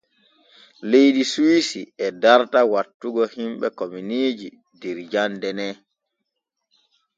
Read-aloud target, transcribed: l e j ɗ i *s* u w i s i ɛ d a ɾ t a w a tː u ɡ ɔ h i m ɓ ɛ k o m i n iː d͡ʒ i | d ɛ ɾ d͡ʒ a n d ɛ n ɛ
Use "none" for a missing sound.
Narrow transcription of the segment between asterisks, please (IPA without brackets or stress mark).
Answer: s